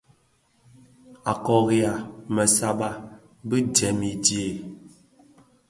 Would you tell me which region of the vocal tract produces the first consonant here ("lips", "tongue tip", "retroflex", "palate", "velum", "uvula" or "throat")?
velum